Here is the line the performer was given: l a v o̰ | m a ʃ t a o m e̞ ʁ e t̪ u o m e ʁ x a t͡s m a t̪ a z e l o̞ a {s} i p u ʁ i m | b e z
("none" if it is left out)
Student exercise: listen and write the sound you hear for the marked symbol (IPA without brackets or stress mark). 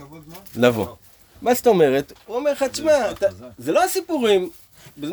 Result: s